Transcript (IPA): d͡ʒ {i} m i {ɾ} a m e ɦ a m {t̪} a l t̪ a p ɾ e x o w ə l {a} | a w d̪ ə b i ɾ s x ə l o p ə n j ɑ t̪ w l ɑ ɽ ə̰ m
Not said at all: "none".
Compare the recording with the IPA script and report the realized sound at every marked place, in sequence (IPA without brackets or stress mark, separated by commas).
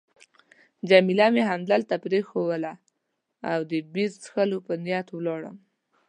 a, l, d̪, a